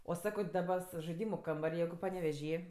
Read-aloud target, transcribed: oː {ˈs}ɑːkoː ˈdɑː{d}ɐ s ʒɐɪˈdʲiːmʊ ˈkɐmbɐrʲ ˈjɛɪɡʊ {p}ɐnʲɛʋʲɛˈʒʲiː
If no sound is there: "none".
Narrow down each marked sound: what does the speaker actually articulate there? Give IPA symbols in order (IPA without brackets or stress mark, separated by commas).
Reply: s, b, p